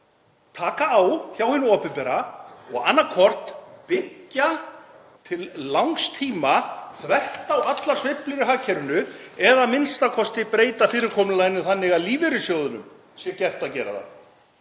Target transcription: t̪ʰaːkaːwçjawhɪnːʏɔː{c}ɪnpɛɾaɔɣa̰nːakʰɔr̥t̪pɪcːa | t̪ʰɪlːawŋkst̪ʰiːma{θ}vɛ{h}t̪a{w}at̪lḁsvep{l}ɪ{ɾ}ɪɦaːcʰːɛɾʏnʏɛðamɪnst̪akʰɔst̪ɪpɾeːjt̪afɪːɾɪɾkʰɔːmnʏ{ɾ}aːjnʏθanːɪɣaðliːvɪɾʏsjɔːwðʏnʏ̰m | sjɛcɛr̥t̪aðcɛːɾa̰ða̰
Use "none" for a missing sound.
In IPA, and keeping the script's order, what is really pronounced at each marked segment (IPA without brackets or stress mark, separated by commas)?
p, θ, h, w, l, ɾ, l